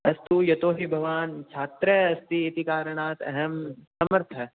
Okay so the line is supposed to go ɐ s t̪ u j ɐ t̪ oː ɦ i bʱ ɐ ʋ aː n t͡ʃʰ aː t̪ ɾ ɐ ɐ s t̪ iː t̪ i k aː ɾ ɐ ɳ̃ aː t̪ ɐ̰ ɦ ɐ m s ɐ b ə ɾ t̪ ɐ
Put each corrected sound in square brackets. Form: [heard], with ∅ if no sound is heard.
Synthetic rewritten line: ɐ s t̪ u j ɐ t̪ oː ɦ i bʱ ɐ ʋ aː n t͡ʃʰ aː t̪ ɾ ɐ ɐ s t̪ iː t̪ i k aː ɾ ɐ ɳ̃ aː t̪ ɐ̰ ɦ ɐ m s ɐ [m] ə ɾ [t̪ʰ] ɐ